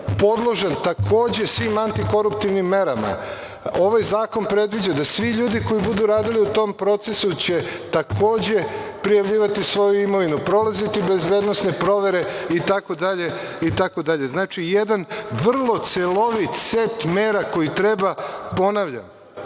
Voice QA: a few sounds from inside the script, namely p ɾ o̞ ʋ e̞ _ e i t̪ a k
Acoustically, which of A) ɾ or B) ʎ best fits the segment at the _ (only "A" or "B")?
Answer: A